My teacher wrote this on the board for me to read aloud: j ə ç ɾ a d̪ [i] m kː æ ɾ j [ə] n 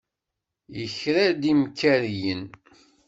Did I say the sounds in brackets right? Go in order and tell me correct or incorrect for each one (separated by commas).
correct, correct